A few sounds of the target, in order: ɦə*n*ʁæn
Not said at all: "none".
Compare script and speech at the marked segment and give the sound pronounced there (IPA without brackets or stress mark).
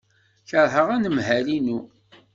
none